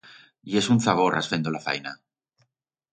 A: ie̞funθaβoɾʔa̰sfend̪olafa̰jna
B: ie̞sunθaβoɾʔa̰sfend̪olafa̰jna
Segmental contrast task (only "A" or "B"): B